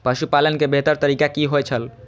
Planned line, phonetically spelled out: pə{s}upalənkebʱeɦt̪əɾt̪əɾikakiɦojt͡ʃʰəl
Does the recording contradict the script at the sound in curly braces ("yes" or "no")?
yes